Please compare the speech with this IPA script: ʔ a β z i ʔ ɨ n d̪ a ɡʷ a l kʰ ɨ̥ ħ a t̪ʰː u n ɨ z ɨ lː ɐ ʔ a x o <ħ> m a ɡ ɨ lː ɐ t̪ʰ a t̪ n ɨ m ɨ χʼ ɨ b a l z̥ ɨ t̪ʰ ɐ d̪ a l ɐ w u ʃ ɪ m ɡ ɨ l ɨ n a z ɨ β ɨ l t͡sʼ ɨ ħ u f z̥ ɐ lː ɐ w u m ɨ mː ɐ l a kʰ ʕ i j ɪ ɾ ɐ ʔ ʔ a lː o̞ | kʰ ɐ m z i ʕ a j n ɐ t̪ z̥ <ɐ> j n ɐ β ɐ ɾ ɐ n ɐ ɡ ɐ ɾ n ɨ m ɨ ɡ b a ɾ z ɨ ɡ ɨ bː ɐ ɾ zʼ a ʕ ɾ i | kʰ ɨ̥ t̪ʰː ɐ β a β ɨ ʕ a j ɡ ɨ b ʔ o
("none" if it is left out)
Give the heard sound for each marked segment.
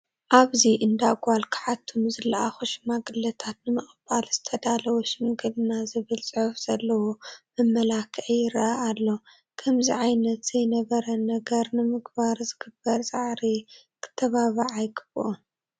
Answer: ʃ, ɐ

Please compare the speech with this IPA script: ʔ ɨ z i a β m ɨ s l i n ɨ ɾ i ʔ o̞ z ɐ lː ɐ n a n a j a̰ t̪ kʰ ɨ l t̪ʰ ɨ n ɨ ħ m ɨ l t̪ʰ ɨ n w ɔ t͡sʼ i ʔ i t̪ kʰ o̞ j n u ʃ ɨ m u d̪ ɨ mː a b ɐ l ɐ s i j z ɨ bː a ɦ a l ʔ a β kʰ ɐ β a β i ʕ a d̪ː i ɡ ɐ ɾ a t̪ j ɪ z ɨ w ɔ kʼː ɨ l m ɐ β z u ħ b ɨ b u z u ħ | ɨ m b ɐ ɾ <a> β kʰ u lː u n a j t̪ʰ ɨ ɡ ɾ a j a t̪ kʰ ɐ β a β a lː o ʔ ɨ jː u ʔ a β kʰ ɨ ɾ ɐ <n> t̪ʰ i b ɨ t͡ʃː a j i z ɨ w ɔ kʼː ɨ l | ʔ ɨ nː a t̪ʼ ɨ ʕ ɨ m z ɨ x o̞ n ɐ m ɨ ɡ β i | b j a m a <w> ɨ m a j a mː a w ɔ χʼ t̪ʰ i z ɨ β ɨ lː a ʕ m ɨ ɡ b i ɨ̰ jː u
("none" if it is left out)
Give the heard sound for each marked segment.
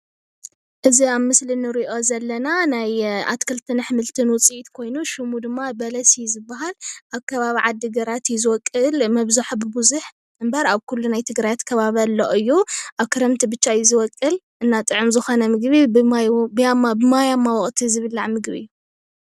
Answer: a, m, b

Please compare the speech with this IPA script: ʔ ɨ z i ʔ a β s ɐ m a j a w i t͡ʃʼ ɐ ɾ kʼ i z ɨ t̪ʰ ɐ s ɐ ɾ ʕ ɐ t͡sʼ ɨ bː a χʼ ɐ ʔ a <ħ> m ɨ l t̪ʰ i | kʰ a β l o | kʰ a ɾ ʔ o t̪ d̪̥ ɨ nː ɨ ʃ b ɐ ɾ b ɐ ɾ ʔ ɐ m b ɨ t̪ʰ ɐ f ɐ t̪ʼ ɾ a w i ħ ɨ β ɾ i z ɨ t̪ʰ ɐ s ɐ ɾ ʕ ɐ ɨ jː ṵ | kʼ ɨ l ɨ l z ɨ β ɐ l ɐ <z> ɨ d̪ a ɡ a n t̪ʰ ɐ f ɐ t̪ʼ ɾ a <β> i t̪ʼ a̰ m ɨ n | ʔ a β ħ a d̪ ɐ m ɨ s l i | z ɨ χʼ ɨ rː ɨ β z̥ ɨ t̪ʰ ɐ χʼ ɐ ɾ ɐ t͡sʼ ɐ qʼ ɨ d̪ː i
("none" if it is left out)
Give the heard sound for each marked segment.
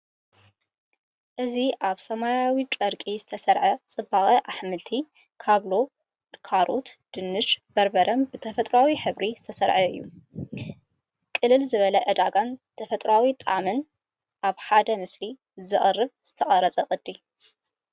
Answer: ħ, ʕ, w

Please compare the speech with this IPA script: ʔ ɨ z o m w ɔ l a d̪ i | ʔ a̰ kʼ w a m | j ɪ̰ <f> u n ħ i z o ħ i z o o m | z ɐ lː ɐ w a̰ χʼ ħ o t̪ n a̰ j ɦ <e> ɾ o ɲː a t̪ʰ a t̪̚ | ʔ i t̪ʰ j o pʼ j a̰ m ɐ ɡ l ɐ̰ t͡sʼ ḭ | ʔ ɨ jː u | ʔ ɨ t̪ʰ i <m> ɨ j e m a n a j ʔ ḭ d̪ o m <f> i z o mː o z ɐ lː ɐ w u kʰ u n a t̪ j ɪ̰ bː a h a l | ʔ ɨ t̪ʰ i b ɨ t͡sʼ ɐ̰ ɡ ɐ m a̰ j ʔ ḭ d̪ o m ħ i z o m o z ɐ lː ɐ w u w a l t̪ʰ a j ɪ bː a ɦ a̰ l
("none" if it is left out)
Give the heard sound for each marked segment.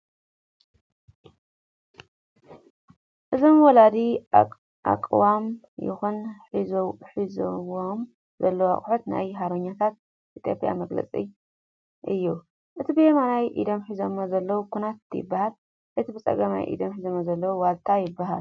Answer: x, a, b, ħ

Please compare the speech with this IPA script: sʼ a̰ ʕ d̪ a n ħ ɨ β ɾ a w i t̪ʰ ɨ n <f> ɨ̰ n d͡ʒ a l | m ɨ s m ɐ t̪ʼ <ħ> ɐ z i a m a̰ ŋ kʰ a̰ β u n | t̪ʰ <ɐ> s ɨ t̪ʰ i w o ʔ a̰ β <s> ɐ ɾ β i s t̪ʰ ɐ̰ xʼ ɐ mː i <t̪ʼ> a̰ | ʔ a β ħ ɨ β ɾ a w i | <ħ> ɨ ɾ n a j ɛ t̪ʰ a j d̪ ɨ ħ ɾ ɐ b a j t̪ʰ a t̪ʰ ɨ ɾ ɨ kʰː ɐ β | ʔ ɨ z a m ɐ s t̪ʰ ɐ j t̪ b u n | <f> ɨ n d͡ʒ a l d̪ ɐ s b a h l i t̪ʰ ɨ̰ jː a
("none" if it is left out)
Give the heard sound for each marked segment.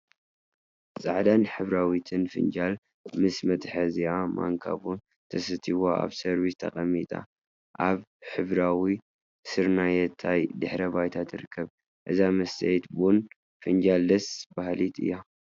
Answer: f, ħ, ɐ, s, t̪ʼ, s, f

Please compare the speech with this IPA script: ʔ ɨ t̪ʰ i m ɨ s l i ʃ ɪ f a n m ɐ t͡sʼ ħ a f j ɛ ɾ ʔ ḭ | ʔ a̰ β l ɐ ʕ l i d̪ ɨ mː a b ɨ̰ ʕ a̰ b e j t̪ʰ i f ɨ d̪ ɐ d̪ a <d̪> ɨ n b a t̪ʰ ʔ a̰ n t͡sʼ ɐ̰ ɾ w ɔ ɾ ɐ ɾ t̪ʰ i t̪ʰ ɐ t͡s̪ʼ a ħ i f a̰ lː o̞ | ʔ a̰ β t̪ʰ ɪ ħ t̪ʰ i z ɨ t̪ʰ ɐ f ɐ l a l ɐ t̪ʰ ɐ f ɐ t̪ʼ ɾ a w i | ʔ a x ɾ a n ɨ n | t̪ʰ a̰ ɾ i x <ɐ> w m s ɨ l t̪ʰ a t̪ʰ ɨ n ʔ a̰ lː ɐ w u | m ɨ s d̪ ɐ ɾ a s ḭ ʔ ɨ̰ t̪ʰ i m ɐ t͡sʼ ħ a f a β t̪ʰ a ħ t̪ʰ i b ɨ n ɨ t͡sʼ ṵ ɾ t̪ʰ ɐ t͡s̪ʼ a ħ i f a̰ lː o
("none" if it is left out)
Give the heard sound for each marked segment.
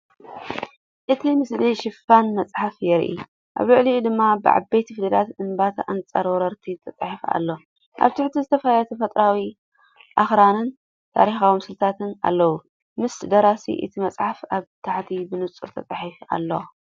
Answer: t̪, a

